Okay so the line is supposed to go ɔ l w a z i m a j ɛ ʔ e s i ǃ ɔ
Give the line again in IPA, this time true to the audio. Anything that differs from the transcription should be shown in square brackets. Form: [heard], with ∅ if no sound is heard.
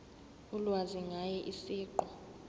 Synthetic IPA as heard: [u] l w a z i [ŋ] a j ɛ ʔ [i] s [iː] ǃ ɔ